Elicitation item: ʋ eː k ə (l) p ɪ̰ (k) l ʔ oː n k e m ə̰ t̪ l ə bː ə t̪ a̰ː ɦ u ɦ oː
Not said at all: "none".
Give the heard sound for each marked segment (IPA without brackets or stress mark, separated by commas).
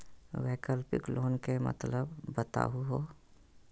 l, k